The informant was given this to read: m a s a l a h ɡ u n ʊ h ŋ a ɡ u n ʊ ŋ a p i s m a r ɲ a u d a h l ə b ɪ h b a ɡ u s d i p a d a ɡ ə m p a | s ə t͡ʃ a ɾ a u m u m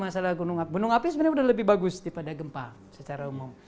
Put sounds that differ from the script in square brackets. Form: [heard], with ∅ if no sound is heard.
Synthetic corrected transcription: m a s a l a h ɡ u n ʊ [∅] ŋ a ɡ u n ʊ ŋ a p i s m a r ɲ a u d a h l ə b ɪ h b a ɡ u s d i p a d a ɡ ə m p a | s ə t͡ʃ a ɾ a u m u m